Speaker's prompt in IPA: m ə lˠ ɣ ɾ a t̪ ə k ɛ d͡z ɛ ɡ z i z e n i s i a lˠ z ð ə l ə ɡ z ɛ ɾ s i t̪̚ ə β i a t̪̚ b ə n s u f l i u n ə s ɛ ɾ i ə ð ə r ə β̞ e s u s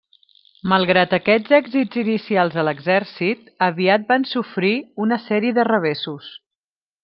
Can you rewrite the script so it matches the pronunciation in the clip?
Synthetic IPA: m ə lˠ ɣ ɾ a t̪ ə k ɛ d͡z ɛ ɡ z i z i n i s i a lˠ z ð ə l ə ɡ z ɛ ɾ s i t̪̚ ə β i a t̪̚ b a n s u f ɾ i u n ə s ɛ ɾ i ə ð ə r ə β̞ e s u s